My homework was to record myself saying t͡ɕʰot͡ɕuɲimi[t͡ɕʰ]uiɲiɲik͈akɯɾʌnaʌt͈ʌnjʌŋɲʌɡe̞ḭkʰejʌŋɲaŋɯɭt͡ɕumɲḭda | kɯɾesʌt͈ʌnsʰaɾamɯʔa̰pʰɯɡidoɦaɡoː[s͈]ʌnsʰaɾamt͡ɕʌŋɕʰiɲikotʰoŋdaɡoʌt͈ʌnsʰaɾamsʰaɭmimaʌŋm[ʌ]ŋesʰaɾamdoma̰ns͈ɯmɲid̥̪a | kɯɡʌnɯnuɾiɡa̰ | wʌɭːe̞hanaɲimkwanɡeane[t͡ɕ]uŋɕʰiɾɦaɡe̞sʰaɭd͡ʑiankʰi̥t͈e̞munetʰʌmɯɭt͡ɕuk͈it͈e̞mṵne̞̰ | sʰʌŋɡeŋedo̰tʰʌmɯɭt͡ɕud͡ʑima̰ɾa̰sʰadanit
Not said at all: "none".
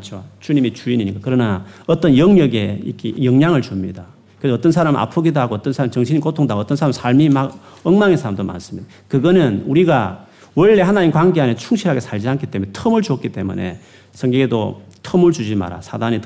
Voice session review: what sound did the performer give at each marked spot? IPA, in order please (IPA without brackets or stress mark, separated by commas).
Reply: t͡ɕ, t͈, a, t͡ɕʰ